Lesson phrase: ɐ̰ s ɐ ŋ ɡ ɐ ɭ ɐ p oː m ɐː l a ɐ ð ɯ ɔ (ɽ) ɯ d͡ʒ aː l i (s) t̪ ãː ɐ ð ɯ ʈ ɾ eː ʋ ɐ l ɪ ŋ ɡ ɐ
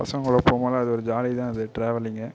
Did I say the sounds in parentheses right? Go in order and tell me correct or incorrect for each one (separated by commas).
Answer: incorrect, incorrect